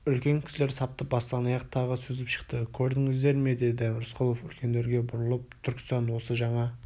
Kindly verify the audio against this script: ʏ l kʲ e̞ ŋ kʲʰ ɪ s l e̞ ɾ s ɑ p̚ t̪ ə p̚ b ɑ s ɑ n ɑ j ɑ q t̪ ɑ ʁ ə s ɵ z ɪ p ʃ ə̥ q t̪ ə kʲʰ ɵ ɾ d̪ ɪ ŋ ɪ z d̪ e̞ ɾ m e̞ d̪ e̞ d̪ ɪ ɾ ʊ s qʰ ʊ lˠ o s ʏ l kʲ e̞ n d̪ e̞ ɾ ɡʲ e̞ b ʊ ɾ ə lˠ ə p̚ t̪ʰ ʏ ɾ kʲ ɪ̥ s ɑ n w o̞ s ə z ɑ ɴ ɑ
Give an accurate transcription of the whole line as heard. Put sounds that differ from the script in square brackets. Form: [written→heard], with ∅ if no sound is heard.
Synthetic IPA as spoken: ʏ l kʲ e̞ ŋ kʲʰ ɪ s l e̞ ɾ s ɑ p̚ t̪ ə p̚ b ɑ s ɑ n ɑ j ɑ q [t̪→t̪ʰ] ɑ ʁ ə s ɵ z ɪ p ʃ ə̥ q t̪ ə kʲʰ ɵ ɾ d̪ ɪ ŋ ɪ z d̪ e̞ ɾ m e̞ d̪ e̞ d̪ ɪ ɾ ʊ s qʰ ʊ lˠ o [s→f] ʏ l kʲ e̞ n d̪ e̞ ɾ ɡʲ e̞ b ʊ ɾ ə lˠ ə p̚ t̪ʰ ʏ ɾ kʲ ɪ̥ s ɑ n w o̞ s ə [z→ʒ] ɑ ɴ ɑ